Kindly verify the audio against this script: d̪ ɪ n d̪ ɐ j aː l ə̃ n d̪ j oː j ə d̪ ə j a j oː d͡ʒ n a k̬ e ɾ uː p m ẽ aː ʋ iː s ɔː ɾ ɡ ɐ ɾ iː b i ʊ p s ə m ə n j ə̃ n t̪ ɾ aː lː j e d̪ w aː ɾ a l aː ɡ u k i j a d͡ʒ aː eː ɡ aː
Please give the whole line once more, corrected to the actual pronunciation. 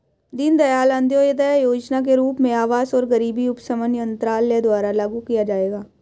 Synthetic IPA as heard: d̪ ɪ n d̪ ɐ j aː l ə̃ n d̪ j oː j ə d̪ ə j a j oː d͡ʒ n a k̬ e ɾ uː p m ẽ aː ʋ aː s ɔː ɾ ɡ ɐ ɾ iː b i ʊ p s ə m ə n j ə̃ n t̪ ɾ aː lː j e d̪ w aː ɾ a l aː ɡ u k i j a d͡ʒ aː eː ɡ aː